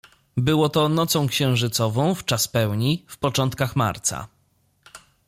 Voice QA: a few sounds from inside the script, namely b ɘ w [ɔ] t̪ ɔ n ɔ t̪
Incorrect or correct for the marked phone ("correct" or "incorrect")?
correct